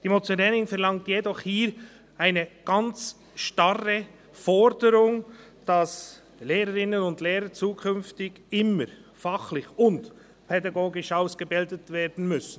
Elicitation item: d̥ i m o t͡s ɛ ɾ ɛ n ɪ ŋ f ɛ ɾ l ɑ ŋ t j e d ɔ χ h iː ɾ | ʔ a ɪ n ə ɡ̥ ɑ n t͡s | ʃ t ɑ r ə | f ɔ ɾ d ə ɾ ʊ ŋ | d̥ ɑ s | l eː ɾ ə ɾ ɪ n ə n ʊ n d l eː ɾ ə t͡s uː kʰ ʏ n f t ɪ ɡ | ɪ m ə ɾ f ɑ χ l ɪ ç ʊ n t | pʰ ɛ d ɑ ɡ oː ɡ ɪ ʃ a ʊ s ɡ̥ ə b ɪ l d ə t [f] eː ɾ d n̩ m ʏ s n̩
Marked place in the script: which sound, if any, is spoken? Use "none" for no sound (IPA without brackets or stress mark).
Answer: v